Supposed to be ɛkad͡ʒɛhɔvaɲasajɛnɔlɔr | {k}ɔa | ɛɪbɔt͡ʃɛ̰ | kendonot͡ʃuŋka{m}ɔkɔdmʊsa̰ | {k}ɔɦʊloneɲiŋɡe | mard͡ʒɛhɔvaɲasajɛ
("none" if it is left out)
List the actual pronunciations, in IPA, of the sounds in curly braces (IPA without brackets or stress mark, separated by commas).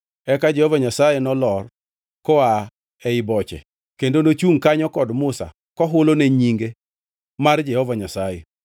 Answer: k, ɲ, k